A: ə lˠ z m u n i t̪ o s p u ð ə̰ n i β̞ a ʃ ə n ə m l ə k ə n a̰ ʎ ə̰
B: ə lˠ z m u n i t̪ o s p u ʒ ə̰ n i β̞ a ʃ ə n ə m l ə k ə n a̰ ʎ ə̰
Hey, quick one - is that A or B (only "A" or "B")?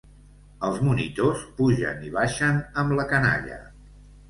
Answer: B